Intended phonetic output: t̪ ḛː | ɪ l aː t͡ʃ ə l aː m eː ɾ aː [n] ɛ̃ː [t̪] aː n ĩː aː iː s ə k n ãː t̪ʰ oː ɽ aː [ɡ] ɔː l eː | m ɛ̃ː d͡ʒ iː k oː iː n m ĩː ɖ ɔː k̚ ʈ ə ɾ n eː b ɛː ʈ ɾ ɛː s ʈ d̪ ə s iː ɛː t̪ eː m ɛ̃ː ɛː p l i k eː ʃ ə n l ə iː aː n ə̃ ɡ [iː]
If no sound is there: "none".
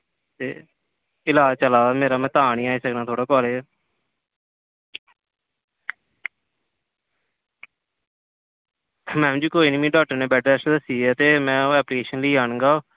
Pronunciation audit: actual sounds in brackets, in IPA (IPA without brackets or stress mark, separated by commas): m, t̪, k, aː